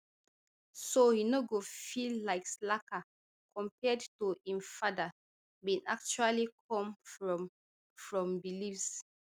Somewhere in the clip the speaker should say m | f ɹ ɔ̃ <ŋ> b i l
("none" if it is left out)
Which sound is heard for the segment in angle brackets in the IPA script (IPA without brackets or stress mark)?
m